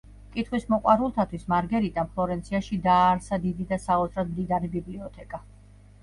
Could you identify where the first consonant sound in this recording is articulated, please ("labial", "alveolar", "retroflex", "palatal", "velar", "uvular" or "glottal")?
velar